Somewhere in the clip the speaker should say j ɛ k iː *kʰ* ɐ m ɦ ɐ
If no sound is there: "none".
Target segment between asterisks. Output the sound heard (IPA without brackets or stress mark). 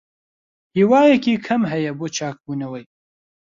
kʰ